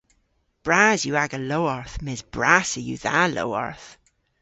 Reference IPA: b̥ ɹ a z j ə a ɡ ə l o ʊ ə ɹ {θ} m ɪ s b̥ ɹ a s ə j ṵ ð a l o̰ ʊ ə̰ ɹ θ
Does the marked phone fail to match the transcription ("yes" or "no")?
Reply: no